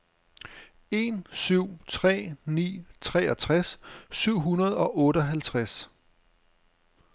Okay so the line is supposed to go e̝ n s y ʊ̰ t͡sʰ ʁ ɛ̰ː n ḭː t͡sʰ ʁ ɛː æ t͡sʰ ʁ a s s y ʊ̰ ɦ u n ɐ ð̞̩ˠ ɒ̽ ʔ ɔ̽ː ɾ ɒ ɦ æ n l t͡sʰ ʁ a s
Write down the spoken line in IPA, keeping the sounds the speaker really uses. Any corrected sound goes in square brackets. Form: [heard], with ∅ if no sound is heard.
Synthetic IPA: e̝ n s y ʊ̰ t͡sʰ ʁ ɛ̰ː n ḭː t͡sʰ ʁ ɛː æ t͡sʰ ʁ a s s y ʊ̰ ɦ u n ɐ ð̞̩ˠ ɒ̽ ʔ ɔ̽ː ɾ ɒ ɦ æ [∅] l t͡sʰ ʁ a s